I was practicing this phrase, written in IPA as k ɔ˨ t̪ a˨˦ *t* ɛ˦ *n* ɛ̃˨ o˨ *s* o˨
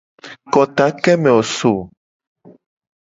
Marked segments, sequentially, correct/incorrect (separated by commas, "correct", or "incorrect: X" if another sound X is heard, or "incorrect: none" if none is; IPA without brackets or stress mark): incorrect: k, incorrect: m, correct